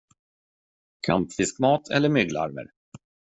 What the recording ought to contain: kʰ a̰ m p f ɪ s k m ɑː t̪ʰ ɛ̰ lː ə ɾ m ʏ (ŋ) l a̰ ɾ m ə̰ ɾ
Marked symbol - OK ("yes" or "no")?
no